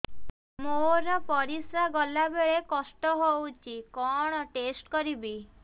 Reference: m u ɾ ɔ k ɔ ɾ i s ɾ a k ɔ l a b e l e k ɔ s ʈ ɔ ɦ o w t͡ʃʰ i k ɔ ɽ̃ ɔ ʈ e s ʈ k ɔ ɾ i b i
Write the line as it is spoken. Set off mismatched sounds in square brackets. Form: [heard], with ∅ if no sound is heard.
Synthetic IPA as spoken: m [o] ɾ ɔ [p] ɔ ɾ i s ɾ a [ɡ] ɔ l a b e [ɭ] e k ɔ s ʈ ɔ ɦ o w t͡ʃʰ i k ɔ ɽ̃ ɔ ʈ e s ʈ k ɔ ɾ i b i